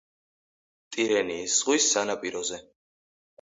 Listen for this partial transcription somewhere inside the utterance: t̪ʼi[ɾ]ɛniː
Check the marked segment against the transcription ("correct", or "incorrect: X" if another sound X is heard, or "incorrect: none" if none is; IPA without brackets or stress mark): correct